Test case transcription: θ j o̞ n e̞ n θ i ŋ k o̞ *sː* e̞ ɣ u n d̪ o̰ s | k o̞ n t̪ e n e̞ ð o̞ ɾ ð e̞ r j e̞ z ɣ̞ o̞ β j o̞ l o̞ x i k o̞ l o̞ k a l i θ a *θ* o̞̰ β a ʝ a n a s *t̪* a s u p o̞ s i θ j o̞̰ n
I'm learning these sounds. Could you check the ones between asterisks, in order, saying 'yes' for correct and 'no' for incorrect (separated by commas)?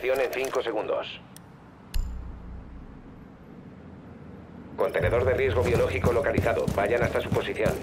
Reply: no, no, yes